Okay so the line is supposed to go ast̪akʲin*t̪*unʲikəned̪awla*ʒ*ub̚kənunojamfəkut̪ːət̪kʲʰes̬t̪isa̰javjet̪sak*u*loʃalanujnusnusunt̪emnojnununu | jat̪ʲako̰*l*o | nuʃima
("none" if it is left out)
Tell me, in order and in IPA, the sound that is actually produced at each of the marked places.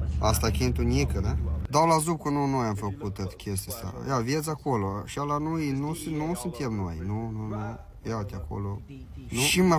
t̪, z, o, l

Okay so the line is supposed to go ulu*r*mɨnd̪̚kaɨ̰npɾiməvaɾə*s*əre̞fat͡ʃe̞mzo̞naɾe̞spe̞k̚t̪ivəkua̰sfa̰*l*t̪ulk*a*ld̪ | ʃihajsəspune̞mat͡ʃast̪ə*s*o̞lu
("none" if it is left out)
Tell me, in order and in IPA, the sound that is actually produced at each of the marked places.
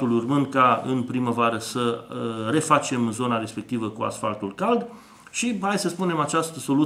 r, s, l, a, s

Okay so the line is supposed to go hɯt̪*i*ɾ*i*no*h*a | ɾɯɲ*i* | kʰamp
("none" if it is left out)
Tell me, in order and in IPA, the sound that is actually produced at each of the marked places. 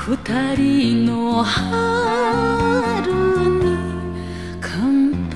a, i, h, i

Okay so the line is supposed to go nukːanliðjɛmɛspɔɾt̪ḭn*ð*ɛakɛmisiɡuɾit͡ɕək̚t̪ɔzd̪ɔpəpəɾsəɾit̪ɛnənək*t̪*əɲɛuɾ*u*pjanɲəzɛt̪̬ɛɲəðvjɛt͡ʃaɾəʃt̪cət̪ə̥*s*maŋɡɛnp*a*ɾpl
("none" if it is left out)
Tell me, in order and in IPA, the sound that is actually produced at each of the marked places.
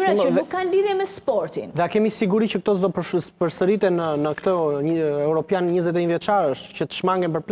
ð, t̪, ɔ, ʃ, ə

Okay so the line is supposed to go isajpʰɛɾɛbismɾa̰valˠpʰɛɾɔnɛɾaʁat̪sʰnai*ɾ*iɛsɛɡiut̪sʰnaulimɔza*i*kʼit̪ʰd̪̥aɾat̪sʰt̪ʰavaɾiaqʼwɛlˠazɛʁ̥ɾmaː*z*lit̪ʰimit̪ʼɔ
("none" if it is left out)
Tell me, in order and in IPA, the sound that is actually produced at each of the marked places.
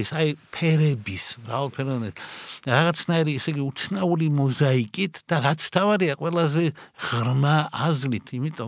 ɾ, i, z

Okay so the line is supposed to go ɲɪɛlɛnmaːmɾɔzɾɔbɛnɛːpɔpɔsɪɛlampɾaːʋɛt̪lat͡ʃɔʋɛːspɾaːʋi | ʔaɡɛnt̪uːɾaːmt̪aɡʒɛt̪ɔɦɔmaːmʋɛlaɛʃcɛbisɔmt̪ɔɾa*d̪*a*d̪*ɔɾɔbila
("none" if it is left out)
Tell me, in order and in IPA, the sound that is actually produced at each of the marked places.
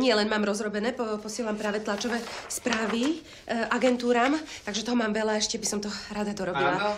d̪, d̪

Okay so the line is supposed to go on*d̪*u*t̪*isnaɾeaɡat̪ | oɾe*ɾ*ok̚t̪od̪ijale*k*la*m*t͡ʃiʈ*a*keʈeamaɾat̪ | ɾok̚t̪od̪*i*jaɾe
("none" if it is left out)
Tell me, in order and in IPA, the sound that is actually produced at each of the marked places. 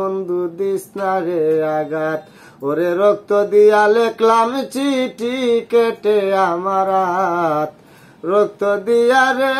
d̪, d̪, ɾ, k, m, i, i

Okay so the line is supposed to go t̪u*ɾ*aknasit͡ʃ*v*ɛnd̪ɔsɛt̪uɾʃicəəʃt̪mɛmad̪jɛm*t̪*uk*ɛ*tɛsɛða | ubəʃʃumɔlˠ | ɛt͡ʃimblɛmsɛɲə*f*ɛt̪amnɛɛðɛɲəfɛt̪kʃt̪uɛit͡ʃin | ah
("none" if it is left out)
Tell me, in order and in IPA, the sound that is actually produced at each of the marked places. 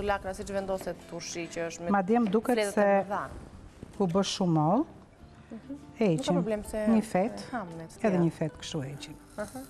l, v, d̪, ɛ, f

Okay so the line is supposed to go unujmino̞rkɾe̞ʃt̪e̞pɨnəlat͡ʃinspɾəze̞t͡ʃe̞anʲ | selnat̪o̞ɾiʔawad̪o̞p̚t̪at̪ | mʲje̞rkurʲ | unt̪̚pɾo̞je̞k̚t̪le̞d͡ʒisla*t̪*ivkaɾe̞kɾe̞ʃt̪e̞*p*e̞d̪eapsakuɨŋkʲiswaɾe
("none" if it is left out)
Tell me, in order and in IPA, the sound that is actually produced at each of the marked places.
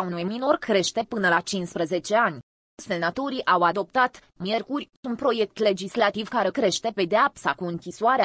t̪, p

